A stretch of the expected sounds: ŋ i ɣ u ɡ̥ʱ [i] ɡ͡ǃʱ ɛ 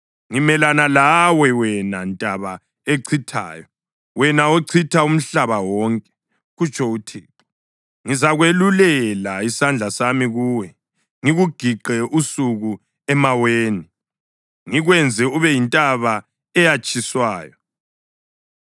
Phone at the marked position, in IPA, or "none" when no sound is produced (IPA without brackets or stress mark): i